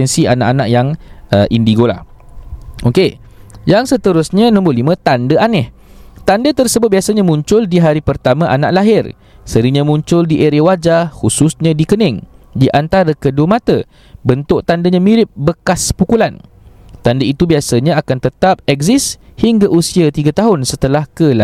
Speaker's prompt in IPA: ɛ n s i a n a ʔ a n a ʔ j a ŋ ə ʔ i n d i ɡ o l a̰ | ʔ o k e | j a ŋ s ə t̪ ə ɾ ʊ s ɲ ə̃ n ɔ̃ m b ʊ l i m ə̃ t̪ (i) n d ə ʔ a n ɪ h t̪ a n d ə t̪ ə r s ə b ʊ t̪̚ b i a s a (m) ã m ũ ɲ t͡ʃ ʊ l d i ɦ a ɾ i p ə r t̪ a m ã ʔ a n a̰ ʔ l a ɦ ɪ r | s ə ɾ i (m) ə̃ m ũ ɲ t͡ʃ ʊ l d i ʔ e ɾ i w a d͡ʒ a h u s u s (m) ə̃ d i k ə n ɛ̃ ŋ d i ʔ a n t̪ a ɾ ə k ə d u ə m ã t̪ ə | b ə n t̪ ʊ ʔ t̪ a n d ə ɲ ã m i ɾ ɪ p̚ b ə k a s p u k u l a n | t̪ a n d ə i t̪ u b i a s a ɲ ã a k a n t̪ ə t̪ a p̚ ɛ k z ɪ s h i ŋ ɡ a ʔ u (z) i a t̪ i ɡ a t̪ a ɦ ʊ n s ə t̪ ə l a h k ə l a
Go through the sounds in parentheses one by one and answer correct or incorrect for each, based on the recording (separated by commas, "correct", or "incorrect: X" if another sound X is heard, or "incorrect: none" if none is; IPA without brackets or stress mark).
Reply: incorrect: a, incorrect: ɲ, incorrect: ɲ, incorrect: ɲ, incorrect: s